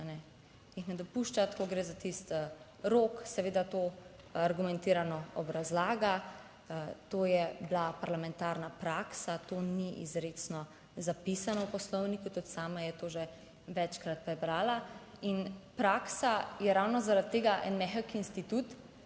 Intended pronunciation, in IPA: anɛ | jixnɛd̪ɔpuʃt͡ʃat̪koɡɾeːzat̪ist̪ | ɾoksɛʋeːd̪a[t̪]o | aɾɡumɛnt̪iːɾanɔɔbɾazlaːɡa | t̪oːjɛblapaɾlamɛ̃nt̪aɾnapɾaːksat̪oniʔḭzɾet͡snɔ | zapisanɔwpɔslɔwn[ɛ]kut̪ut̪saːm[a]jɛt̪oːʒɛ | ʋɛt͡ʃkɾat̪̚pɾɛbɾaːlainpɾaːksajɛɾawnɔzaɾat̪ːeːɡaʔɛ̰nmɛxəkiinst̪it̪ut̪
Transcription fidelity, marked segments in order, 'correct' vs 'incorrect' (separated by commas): correct, incorrect, correct